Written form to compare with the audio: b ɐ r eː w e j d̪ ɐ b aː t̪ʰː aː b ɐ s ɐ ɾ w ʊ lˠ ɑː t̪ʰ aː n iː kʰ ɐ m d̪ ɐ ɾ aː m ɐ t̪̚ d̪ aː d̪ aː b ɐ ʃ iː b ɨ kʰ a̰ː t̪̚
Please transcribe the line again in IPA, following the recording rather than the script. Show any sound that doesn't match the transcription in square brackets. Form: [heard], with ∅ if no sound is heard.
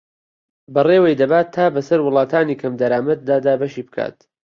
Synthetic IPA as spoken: b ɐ r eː w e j d̪ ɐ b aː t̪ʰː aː b ɐ s ɐ ɾ w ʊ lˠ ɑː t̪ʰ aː n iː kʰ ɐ m d̪ ɐ ɾ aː m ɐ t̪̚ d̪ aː d̪ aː b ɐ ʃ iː b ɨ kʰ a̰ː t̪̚